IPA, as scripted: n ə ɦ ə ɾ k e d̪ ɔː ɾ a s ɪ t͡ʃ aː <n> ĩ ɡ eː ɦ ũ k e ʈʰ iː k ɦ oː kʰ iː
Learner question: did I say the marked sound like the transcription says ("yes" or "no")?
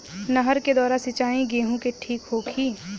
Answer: no